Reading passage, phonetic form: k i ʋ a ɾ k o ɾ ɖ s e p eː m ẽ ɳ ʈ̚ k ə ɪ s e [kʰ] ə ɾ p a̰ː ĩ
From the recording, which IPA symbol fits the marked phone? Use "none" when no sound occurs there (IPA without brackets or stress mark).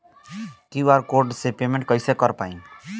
k